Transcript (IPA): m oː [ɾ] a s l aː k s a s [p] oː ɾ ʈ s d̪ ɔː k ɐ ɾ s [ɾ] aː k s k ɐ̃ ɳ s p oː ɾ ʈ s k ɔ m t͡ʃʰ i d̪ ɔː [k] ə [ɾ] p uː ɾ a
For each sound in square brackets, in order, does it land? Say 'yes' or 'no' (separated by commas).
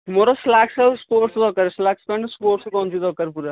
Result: yes, yes, no, yes, yes